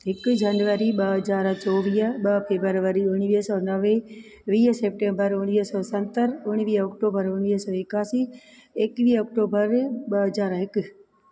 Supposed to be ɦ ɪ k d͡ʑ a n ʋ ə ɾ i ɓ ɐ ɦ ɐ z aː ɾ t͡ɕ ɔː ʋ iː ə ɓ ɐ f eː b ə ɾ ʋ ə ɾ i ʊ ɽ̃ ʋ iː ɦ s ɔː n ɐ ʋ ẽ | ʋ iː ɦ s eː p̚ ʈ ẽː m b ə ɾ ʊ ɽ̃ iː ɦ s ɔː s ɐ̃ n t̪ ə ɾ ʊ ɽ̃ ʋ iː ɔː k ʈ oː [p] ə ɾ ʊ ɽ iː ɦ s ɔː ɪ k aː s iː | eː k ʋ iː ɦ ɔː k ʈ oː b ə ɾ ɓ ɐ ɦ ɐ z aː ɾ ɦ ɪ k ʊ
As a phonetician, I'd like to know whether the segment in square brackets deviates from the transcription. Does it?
yes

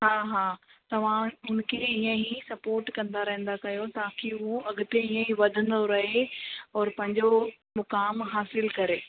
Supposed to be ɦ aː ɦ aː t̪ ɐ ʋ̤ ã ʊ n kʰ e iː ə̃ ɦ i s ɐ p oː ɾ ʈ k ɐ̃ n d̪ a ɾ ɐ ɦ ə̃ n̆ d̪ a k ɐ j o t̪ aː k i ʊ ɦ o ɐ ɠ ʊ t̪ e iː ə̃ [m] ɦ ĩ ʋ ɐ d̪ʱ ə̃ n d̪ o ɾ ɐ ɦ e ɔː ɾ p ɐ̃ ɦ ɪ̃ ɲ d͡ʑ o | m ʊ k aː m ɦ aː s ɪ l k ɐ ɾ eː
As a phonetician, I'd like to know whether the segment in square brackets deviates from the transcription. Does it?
yes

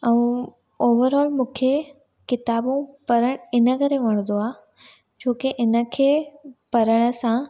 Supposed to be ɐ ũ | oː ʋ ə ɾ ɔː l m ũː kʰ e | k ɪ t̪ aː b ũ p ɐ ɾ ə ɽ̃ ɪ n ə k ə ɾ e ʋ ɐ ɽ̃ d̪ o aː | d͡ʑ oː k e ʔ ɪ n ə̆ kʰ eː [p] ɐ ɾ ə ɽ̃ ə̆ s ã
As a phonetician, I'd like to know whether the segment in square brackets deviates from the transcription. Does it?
no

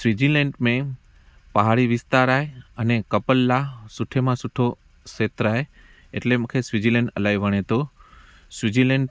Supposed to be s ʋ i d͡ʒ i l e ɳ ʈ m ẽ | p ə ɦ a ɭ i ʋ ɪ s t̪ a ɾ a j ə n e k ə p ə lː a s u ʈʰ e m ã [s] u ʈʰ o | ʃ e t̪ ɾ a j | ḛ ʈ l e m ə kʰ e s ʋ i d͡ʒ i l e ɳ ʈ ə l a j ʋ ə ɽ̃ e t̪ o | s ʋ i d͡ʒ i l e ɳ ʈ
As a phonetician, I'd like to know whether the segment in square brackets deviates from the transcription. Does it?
no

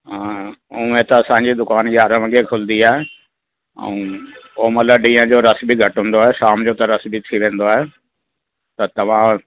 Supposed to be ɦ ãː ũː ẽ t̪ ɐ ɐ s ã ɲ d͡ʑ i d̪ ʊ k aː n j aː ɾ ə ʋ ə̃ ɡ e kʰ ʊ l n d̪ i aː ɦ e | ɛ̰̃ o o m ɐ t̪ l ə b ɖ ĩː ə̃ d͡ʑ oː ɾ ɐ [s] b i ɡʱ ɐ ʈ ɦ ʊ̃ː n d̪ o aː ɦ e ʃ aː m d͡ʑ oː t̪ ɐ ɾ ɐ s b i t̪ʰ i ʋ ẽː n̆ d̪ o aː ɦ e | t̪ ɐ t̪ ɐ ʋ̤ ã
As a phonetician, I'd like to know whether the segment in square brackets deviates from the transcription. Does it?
no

